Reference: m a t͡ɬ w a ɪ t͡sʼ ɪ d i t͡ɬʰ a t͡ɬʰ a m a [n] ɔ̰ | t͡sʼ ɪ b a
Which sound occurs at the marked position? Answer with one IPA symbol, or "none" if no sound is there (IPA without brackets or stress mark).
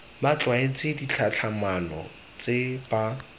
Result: n